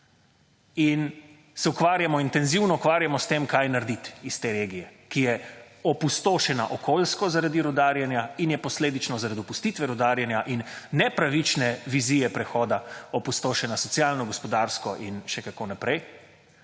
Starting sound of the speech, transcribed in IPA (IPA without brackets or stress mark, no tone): i